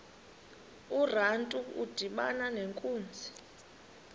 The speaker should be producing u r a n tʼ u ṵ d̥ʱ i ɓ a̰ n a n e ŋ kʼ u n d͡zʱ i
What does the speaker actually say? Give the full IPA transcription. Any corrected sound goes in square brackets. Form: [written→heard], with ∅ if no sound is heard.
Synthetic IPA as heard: u r a n tʼ u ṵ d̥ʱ i ɓ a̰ n a n e ŋ kʼ [u→uː] n d͡zʱ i